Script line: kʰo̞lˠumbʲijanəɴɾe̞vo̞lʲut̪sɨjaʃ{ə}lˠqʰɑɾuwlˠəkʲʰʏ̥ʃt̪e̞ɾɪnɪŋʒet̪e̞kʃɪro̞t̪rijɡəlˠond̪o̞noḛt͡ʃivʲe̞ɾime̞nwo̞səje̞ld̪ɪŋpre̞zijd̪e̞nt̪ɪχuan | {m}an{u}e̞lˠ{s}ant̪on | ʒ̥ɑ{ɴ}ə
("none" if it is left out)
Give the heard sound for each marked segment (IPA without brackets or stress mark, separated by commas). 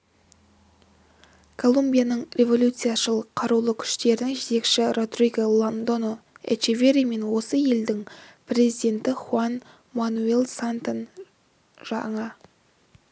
ə, m, u, s, ɴ